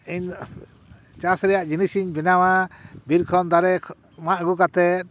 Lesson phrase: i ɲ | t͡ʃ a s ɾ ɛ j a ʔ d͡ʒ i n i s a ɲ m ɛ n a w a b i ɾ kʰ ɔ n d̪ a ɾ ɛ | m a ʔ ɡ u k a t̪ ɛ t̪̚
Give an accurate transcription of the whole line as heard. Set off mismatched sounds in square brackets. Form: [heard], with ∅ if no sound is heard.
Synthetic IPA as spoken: i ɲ | t͡ʃ a s ɾ ɛ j a ʔ d͡ʒ i n i s [i] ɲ [b] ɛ n a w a b i ɾ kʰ ɔ n d̪ a ɾ ɛ | m a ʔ ɡ u k a t̪ ɛ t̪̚